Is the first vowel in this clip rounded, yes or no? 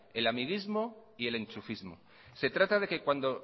no